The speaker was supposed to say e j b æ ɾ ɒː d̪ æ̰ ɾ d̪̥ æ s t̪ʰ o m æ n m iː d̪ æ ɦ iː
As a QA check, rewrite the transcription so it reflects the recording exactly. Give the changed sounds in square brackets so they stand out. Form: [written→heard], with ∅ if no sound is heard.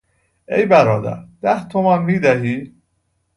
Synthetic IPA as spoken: e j b æ ɾ ɒː d̪ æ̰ ɾ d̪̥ æ [s→h] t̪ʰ o m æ n m iː d̪ æ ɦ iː